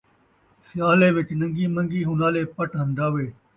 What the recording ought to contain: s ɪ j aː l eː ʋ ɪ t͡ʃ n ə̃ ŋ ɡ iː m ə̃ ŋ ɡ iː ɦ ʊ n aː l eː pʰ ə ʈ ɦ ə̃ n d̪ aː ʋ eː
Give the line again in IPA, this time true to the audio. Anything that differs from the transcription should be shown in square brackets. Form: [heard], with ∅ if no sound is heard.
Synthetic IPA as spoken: s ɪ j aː l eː ʋ ɪ t͡ʃ n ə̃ ŋ ɡ iː m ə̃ ŋ ɡ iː ɦ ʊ n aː l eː [p] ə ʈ ɦ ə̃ n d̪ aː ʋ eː